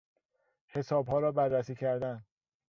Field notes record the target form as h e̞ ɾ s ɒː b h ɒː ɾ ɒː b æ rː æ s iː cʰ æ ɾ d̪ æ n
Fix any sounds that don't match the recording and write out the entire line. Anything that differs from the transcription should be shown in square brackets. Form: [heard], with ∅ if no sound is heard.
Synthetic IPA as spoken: h e̞ [∅] s ɒː b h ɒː ɾ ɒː b æ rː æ s iː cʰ æ ɾ d̪ æ n

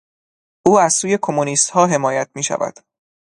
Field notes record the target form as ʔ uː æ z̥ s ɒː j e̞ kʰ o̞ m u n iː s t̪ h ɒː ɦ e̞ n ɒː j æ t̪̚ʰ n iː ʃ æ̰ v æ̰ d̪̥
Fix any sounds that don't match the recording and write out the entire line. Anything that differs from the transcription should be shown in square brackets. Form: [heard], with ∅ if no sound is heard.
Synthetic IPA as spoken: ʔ uː æ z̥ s [uː] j e̞ kʰ o̞ m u n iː s t̪ h ɒː ɦ e̞ [m] ɒː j æ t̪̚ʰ [m] iː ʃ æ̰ v æ̰ d̪̥

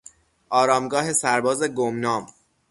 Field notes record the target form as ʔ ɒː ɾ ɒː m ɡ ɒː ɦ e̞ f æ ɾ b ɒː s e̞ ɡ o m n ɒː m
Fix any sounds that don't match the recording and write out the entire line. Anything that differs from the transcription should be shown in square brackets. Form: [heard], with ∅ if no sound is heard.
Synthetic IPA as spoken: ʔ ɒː ɾ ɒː m ɡ ɒː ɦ e̞ [s] æ ɾ b ɒː [z] e̞ ɡ o m n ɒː m

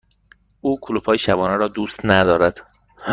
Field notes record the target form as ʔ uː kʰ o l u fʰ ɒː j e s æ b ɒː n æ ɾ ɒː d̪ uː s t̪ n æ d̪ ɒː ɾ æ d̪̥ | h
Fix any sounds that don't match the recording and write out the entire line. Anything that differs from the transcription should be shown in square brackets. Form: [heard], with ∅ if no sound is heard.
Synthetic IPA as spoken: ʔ uː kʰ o l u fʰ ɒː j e [ʃ] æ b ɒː n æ ɾ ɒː d̪ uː s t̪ n æ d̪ ɒː ɾ æ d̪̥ | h

